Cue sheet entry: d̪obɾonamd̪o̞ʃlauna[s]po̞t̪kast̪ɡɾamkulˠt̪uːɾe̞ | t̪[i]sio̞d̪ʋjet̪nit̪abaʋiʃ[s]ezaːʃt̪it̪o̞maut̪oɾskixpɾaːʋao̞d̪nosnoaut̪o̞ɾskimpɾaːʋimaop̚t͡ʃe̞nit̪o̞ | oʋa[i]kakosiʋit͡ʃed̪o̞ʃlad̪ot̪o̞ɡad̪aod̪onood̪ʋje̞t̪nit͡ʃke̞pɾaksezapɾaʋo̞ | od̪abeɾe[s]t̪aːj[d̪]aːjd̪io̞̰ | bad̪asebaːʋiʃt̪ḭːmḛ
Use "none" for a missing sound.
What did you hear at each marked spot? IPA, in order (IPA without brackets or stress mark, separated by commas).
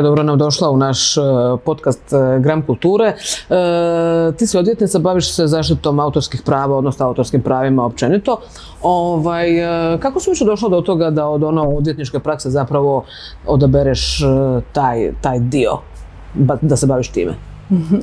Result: ʃ, iː, s, j, ʃ, t̪